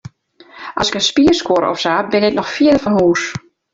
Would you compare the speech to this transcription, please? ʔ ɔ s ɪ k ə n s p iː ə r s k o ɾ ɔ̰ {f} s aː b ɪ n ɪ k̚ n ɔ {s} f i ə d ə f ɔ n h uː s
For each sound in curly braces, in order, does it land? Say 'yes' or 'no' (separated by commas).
yes, no